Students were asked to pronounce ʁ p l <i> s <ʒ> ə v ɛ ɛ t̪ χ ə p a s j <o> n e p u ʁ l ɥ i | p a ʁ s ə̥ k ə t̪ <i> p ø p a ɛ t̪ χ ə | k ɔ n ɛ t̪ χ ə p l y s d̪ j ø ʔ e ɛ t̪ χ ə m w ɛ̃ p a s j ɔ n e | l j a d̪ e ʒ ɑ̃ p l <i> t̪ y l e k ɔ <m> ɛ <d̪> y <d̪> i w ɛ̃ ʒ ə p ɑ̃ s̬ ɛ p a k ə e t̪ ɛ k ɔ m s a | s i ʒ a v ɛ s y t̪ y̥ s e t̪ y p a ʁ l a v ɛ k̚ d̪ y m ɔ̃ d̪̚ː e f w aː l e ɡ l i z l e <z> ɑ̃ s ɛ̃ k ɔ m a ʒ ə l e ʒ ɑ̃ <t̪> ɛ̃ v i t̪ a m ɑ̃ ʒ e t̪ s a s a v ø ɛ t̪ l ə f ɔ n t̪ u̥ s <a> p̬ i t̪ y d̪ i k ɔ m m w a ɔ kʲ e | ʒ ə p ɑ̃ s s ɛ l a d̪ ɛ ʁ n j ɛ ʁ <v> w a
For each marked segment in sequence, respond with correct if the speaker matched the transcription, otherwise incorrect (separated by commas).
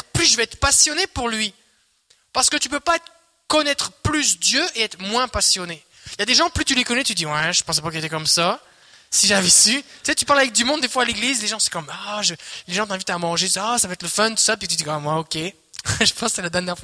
incorrect, correct, incorrect, incorrect, incorrect, incorrect, incorrect, correct, incorrect, correct, correct, incorrect